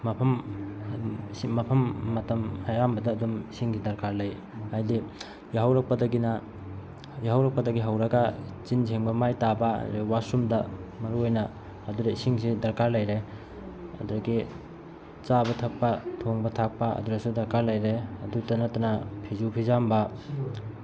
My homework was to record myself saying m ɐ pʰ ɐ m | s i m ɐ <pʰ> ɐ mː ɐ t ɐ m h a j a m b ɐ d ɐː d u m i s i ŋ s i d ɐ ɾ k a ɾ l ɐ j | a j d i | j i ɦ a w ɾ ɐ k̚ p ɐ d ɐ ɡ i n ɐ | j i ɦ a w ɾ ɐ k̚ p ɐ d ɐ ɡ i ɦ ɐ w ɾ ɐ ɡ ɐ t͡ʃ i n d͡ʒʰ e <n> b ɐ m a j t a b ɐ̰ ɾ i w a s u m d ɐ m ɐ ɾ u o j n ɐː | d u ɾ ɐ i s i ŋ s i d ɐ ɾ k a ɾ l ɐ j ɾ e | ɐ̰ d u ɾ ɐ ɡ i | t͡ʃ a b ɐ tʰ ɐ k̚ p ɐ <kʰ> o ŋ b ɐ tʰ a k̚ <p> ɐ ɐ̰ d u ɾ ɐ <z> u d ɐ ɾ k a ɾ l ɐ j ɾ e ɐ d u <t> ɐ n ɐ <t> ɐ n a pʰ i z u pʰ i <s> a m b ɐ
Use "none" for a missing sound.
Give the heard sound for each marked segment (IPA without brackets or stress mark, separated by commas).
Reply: pʰ, ŋ, tʰ, p, s, t, t, z